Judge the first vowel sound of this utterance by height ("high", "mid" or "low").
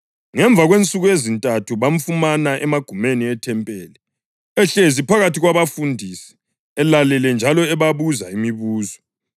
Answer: mid